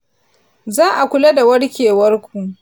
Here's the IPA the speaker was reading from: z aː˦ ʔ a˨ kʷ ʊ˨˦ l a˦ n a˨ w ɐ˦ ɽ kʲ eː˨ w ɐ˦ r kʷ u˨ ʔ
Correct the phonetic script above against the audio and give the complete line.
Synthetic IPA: z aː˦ ʔ a˨ kʷ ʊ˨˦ l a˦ d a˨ w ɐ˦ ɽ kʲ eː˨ w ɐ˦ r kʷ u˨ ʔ

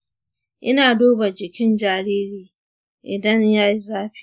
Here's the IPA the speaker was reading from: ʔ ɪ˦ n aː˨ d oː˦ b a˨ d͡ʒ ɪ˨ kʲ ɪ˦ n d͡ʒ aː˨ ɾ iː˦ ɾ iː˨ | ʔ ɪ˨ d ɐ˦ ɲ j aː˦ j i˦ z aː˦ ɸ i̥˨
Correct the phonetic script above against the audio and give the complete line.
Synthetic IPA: ʔ ɪ˦ n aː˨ d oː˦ b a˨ d͡ʒ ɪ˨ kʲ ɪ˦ n d͡ʒ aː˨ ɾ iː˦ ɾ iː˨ | ʔ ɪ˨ d ɐ˦ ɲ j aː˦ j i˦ z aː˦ ɸ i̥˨

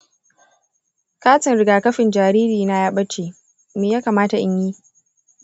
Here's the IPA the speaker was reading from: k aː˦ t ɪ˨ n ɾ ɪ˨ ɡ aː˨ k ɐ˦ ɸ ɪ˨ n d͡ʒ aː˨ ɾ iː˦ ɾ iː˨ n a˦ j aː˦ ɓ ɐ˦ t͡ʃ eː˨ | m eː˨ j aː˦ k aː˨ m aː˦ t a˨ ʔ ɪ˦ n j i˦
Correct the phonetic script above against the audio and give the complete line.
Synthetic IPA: k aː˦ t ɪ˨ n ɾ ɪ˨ ɡ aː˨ k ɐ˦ ɸ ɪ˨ n d͡ʒ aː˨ ɾ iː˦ ɾ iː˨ n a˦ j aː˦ ɓ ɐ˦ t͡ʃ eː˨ | m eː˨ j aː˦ k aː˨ m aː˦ t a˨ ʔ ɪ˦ ɲ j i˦

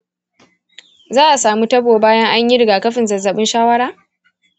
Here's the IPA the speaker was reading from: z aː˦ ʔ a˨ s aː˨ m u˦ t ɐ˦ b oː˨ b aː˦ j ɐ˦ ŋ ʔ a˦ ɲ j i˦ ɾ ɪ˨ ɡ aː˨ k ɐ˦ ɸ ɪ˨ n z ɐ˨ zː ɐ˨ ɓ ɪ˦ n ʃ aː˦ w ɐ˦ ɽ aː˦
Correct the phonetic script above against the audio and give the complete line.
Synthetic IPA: z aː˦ ʔ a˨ s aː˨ m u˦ t ɐ˦ b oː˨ b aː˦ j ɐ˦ ŋ ʔ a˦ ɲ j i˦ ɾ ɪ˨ ɡ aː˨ k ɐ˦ ɸ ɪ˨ n z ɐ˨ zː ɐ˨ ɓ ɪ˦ n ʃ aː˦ w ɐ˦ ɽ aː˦

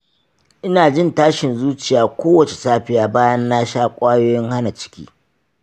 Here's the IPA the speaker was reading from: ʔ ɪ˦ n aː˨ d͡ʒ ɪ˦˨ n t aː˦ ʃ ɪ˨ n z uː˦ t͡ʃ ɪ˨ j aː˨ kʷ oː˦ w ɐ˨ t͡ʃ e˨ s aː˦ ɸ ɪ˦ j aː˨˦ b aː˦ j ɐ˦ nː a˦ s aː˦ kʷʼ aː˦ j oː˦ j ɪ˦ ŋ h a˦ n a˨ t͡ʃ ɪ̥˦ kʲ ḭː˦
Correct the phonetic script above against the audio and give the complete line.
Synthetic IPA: ʔ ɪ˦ n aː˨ d͡ʒ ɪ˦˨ n t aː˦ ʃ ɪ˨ n z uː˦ t͡ʃ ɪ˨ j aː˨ kʷ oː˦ w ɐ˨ t͡ʃ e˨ s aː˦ ɸ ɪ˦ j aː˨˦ b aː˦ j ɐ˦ nː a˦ ʃ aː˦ kʷʼ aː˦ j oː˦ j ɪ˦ ŋ h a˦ n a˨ t͡ʃ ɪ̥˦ kʲ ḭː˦

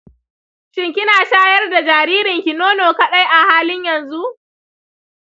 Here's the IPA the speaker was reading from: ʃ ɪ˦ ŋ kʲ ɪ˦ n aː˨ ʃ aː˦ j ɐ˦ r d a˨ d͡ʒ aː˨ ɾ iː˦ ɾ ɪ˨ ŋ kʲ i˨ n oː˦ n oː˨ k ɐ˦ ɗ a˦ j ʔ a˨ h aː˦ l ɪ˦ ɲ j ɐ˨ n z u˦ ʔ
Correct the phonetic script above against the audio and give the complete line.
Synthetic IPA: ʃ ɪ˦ ŋ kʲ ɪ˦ n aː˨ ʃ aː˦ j ɐ˦ r d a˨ d͡ʒ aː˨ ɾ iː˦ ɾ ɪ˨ ŋ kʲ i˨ n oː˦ n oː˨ k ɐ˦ ɗ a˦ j ʔ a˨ h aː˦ l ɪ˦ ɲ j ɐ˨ n z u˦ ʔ

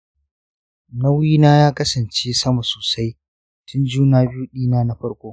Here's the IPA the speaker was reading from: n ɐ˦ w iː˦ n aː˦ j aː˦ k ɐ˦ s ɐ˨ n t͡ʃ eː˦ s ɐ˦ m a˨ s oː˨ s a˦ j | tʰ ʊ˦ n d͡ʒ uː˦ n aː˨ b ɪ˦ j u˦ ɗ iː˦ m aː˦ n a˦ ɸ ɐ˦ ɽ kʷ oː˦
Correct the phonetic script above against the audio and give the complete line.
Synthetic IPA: n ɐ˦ w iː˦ n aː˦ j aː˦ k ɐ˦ s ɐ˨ n t͡ʃ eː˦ s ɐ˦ m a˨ s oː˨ s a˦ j | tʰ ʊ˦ n d͡ʒ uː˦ n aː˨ b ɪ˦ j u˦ ɗ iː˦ n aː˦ n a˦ ɸ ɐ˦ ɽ kʷ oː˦

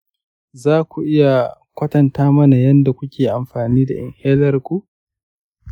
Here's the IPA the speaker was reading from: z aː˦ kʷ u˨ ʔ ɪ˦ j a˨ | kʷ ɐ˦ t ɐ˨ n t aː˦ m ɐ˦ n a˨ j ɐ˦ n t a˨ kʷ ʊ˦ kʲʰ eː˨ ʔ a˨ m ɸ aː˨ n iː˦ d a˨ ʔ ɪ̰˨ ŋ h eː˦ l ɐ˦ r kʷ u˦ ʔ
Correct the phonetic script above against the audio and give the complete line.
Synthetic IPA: z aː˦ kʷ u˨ ʔ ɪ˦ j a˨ | kʷ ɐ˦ t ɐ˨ n t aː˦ m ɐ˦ n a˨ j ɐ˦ n d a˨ kʷ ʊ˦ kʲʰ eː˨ ʔ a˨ m ɸ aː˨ n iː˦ d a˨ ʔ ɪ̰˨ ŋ h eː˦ l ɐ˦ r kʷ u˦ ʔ

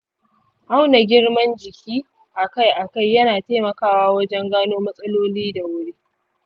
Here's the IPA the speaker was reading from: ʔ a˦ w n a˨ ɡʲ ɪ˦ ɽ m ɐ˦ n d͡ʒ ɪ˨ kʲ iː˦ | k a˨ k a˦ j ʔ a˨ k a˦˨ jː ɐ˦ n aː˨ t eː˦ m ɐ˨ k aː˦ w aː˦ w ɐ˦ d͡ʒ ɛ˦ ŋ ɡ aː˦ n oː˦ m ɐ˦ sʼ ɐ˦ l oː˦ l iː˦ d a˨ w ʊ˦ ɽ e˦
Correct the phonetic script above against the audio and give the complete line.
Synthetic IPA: ʔ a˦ w n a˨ ɡʲ ɪ˦ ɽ m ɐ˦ n d͡ʒ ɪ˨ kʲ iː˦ | ʔ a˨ k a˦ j ʔ a˨ k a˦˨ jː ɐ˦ n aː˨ t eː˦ m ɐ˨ k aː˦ w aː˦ w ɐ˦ d͡ʒ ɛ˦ ŋ ɡ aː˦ n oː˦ m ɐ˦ sʼ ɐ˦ l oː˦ l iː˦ d a˨ w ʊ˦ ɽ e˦

